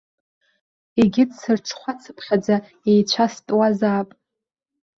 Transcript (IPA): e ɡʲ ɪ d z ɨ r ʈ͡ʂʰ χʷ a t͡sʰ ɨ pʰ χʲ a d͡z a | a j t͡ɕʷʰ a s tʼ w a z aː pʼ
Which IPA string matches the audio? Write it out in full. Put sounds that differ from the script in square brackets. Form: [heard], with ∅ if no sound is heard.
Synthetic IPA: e ɡʲ ɪ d [s] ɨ r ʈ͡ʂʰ χʷ a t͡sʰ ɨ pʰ χʲ a d͡z a | [e] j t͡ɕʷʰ a s tʼ w a z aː pʼ